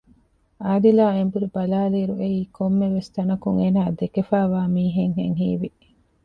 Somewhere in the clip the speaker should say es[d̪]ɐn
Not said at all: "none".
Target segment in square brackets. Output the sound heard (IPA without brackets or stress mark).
t̪